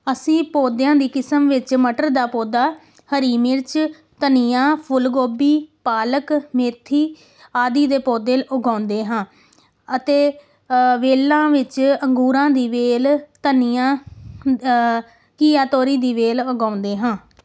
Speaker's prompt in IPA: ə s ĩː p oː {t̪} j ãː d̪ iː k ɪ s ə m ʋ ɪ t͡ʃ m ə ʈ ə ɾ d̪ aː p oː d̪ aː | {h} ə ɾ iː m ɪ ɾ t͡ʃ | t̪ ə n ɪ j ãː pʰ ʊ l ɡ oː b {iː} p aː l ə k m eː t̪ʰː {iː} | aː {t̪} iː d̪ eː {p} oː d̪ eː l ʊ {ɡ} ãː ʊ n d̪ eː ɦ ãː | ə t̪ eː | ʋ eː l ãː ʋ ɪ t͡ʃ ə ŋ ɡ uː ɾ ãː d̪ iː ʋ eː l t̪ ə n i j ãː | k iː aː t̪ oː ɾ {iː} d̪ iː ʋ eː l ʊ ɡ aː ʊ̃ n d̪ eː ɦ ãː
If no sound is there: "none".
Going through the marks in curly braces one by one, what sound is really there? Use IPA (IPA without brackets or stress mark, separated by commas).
d̪, h, iː, iː, d̪, p, ɡ, iː